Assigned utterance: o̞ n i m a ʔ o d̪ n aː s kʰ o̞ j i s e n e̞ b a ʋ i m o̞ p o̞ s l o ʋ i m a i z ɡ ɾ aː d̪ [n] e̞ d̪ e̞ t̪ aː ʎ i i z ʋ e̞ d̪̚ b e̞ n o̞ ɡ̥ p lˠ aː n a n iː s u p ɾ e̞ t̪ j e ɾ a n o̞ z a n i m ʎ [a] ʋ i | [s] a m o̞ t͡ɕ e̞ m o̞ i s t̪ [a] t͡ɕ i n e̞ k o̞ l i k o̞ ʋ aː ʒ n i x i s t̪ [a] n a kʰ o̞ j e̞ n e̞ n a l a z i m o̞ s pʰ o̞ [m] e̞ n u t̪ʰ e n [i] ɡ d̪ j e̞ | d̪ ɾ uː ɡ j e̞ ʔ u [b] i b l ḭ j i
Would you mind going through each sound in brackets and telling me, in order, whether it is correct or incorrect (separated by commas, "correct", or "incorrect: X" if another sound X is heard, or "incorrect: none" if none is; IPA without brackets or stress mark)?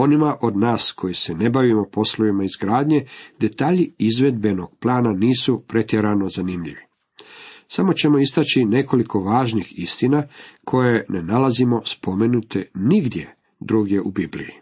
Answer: incorrect: ɲ, incorrect: i, correct, correct, incorrect: i, correct, correct, correct